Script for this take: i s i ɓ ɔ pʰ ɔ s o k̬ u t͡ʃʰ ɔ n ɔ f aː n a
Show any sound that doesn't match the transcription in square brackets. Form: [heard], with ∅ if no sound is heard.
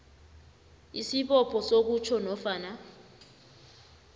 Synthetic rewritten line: i s i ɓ ɔ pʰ ɔ s o k̬ u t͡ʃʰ ɔ n ɔ f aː n a